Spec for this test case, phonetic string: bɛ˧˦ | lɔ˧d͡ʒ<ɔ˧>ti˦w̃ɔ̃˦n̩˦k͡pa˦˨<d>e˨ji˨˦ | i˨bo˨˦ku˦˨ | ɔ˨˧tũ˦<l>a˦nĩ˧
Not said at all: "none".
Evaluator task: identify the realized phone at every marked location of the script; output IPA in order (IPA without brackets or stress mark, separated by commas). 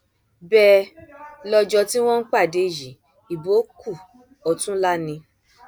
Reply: ɔ˧, d, l